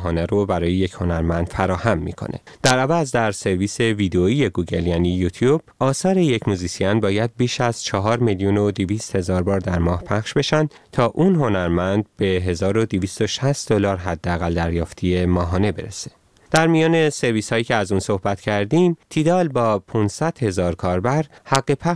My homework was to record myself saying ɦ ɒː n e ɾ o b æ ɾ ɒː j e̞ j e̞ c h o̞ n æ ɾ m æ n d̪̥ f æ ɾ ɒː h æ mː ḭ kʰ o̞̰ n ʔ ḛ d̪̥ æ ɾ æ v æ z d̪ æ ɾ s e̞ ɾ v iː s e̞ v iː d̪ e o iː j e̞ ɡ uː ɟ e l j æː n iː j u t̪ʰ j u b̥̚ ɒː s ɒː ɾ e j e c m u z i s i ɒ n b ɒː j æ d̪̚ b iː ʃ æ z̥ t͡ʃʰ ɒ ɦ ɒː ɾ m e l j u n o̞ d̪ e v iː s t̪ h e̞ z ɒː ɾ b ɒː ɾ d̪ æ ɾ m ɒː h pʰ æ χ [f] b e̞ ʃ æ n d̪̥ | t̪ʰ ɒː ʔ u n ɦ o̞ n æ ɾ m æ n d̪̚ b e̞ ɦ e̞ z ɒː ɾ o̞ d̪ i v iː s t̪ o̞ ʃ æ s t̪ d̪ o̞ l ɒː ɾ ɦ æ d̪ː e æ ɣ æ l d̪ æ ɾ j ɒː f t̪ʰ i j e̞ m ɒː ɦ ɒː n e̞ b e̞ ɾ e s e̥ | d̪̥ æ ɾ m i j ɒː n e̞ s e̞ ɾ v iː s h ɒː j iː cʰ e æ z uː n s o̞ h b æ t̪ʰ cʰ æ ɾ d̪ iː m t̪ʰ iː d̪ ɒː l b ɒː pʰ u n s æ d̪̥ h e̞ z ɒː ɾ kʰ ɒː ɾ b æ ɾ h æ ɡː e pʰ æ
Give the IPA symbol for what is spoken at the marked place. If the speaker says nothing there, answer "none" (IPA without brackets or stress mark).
ʃ